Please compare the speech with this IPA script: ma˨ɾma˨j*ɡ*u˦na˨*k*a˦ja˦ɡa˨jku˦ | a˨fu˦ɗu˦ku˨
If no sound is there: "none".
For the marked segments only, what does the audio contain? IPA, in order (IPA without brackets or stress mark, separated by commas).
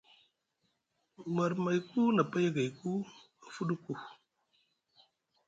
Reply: k, p